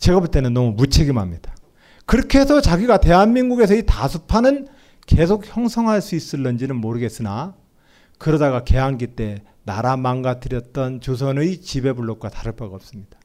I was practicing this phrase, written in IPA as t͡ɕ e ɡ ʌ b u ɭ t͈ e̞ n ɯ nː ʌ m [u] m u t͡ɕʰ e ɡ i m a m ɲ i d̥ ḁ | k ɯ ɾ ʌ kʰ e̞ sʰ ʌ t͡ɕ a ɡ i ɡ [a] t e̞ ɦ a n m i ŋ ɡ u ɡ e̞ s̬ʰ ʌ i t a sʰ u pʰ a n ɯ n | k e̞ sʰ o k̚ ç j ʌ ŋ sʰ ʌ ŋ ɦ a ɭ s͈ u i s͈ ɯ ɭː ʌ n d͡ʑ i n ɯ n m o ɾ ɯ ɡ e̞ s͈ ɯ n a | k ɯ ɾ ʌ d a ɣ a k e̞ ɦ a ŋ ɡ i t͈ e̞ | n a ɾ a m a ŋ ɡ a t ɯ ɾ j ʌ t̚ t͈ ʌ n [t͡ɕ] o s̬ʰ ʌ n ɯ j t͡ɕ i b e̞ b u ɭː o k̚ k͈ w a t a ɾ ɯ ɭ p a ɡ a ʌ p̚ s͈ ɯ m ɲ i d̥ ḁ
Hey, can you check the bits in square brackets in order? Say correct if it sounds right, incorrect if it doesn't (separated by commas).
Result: correct, correct, correct